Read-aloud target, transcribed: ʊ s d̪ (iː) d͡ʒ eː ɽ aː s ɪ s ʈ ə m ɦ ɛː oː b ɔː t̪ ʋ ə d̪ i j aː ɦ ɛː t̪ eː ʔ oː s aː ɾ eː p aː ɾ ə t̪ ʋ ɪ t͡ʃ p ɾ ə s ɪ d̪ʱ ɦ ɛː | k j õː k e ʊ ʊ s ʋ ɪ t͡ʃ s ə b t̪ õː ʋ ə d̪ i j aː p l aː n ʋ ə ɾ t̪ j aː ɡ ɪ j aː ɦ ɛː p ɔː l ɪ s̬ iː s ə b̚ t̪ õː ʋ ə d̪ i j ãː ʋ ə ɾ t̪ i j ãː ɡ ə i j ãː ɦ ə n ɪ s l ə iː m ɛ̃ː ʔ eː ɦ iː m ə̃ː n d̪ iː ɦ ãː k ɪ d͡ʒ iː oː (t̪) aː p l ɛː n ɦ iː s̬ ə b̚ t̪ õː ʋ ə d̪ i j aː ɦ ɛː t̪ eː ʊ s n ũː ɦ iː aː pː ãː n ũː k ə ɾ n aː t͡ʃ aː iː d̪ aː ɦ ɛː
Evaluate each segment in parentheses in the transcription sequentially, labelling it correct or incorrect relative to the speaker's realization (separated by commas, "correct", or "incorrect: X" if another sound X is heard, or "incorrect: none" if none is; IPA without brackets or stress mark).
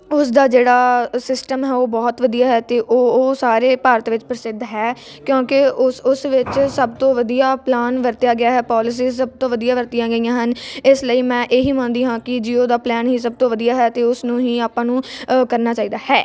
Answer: incorrect: aː, incorrect: d̪